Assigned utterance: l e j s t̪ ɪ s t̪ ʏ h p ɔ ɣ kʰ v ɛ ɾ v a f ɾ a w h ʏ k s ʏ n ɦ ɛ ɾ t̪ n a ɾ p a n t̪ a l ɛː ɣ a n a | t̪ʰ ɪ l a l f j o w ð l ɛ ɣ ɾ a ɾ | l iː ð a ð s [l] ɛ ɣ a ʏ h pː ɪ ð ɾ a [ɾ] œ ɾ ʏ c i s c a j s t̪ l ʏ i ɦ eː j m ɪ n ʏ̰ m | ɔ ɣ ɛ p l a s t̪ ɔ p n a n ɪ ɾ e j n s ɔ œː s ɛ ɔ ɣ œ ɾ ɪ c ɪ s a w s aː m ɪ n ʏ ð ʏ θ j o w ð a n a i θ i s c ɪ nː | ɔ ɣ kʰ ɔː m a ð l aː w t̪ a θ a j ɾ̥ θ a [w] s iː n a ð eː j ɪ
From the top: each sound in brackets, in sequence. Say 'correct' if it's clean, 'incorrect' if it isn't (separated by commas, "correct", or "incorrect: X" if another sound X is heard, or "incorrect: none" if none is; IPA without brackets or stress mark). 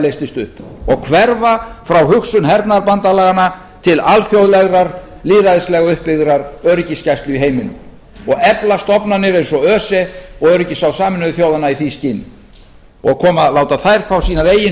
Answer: correct, correct, correct